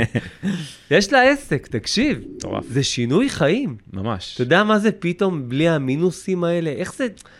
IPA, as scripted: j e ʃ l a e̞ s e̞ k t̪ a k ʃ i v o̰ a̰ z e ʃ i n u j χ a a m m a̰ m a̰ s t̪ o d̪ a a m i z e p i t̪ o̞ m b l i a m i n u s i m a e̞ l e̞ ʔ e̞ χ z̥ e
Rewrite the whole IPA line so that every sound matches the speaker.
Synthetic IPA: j e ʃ l a e̞ s e̞ k t̪ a k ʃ i v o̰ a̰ z e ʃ i n u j χ a i m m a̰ m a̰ ʃ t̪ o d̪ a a m a z e p i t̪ o̞ m b l i a m i n u s i m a e̞ l e̞ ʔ e̞ χ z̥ e